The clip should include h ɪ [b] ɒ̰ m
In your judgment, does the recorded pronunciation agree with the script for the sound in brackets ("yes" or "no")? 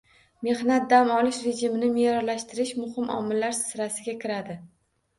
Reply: no